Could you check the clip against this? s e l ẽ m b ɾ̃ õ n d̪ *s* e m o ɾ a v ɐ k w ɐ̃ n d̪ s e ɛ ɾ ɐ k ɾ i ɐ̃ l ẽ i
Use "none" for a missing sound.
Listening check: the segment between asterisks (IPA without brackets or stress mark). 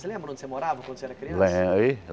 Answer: s